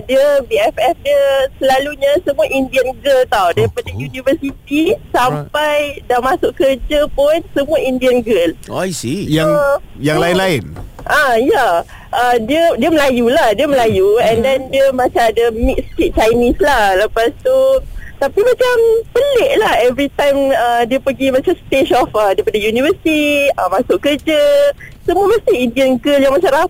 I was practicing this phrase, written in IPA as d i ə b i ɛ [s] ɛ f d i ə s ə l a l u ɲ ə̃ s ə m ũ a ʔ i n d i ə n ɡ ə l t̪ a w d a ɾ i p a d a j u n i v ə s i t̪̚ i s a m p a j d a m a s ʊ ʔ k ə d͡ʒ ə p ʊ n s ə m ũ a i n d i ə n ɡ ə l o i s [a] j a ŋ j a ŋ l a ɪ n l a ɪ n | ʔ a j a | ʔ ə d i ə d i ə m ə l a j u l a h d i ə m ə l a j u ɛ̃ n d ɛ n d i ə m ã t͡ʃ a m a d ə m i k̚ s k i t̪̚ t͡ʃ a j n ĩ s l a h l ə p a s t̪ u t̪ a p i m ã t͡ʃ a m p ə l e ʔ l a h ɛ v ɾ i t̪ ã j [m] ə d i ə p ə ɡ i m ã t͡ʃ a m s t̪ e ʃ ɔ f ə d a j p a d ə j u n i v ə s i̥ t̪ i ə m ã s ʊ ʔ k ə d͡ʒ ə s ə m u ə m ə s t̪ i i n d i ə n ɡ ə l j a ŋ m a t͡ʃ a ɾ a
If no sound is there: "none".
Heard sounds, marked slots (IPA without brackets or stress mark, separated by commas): f, i, m